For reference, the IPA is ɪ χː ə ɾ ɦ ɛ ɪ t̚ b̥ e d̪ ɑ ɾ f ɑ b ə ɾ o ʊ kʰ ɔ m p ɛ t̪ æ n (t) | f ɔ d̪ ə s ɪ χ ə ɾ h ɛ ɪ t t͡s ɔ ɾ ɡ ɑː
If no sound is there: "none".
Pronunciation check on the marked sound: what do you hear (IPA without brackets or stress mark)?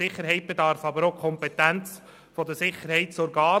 t͡s